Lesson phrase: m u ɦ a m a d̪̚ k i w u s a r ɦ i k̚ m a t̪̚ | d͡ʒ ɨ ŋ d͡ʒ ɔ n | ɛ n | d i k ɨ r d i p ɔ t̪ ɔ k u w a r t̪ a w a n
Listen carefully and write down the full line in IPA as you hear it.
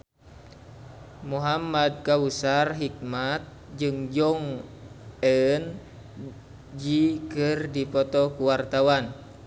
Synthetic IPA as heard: m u ɦ a m a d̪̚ k a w u s a r ɦ i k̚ m a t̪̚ | d͡ʒ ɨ ŋ d͡ʒ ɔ ŋ | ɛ n | d͡ʒ i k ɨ r d i p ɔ t̪ ɔ k u w a r t̪ a w a n